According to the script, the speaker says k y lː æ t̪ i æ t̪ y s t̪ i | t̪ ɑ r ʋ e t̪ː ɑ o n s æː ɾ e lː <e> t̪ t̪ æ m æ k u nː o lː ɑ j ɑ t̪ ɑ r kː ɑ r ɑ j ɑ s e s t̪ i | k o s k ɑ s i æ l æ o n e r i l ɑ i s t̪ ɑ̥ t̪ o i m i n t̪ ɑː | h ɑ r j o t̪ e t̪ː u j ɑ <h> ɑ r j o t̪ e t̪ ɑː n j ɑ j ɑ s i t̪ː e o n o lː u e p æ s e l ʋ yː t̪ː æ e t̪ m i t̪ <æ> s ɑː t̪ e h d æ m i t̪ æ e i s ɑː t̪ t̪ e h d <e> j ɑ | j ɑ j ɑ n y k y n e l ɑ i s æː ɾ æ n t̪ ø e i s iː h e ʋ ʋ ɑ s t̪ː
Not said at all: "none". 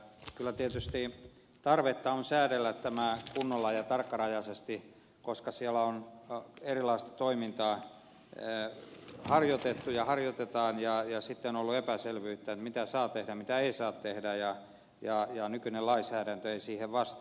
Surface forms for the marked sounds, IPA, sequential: æ, h, æ, æ

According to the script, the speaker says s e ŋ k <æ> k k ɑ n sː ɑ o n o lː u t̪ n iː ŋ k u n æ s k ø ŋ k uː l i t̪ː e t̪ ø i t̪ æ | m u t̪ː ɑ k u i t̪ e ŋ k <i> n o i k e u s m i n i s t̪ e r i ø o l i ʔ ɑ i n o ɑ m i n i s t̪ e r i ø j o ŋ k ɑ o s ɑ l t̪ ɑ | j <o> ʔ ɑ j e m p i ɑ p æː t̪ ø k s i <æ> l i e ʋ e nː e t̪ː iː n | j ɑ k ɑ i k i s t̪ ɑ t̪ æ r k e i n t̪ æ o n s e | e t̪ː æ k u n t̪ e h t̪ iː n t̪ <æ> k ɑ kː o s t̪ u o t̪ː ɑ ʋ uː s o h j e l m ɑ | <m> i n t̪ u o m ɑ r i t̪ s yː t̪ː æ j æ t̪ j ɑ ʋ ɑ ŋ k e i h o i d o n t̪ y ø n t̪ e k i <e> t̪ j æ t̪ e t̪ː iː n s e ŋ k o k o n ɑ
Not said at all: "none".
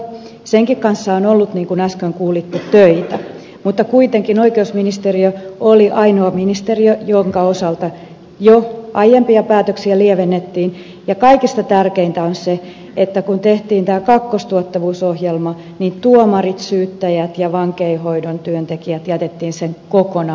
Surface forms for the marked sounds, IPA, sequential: i, i, o, æ, æː, n, æ

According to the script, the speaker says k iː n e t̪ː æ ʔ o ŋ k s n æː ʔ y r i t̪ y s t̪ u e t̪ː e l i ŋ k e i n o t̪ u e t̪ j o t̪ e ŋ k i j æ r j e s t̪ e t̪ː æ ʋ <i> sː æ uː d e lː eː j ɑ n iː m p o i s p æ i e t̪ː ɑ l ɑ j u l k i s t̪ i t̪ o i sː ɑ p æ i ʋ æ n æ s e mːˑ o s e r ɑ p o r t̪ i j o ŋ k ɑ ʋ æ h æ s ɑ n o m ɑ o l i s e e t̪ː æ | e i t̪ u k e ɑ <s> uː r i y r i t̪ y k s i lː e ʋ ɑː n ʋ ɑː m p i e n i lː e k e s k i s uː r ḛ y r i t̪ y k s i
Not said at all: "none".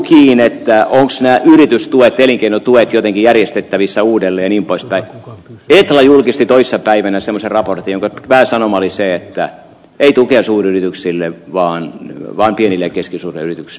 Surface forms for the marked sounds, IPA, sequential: i, s

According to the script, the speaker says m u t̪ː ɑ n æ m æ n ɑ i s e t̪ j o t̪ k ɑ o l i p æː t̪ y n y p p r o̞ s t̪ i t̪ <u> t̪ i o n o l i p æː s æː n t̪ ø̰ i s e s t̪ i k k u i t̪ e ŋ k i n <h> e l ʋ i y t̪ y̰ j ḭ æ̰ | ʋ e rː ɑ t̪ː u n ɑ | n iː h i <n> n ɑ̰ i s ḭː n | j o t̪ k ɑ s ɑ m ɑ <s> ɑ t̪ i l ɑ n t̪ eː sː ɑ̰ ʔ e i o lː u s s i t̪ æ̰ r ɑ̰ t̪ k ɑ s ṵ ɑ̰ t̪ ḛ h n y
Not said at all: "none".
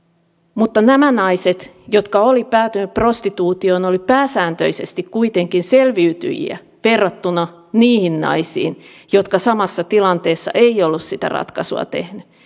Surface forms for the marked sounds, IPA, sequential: uː, s, n, sː

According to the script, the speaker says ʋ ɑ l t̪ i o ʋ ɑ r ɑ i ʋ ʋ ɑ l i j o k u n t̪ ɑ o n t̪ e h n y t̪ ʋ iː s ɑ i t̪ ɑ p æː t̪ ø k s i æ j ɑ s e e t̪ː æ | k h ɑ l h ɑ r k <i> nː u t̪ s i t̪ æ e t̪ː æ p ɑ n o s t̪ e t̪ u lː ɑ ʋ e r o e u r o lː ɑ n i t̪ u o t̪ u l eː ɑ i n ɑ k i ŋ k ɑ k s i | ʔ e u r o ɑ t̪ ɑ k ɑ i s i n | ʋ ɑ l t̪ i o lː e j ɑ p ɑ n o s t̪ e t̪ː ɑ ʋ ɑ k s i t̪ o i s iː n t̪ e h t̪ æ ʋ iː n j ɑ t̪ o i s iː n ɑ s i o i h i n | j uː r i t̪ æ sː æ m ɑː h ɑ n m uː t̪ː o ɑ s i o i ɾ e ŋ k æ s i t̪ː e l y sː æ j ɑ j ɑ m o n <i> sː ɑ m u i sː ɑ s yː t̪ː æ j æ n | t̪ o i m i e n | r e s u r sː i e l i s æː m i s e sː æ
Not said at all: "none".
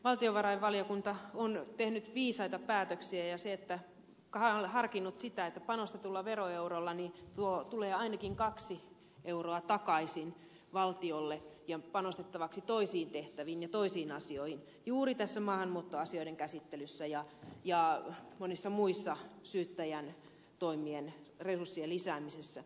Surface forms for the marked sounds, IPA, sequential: i, i

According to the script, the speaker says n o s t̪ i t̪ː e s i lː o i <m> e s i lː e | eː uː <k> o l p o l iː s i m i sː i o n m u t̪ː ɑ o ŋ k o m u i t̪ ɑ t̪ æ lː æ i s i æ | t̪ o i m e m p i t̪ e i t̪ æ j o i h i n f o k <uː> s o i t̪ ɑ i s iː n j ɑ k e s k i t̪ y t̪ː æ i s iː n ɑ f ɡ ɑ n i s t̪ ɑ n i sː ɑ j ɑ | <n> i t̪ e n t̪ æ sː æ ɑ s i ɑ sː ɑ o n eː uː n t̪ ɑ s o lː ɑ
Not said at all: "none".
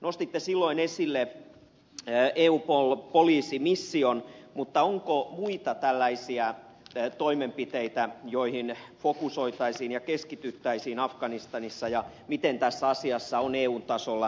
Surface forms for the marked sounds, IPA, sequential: n, p, u, m

